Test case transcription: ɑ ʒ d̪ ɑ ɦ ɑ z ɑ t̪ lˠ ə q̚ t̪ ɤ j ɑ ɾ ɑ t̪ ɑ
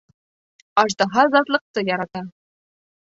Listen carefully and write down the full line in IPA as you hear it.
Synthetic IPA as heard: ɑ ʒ d̪ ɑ ɦ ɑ z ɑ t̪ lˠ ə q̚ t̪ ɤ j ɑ ɾ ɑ t̪ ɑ